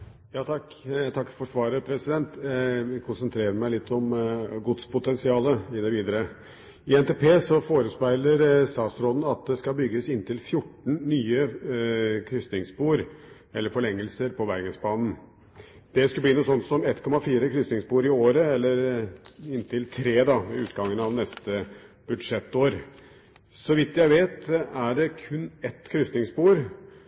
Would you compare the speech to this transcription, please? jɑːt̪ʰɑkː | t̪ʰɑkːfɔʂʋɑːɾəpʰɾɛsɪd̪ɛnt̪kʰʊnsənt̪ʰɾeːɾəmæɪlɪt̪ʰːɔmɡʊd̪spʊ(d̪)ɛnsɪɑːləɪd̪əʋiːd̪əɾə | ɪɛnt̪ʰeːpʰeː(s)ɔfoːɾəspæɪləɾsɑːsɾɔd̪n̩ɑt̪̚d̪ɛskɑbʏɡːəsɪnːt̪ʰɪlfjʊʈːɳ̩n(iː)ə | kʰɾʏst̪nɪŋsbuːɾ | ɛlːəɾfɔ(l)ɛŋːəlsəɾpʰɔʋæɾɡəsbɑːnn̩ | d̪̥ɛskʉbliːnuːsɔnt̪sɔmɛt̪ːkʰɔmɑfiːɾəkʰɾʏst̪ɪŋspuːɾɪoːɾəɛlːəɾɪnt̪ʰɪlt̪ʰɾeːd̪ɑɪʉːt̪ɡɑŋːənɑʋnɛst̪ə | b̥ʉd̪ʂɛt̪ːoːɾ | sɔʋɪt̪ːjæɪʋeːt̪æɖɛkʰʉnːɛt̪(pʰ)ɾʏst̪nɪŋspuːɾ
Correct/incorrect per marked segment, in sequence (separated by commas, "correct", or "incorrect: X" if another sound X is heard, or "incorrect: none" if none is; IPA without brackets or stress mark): incorrect: t̪, correct, incorrect: yː, incorrect: ɭ, incorrect: kʰ